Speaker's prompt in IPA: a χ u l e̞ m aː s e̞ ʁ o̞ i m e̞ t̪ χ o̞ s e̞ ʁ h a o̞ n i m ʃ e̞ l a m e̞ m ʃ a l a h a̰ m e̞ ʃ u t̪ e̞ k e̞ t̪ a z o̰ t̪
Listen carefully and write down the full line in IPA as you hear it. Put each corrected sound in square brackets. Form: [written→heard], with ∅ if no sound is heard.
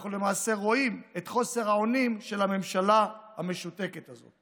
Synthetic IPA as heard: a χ u l e̞ m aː s e̞ ʁ o̞ i m e̞ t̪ χ o̞ s e̞ ʁ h a o̞ n i m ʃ e̞ l a m e̞ m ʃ a l a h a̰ m e̞ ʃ u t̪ e̞ k e̞ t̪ a z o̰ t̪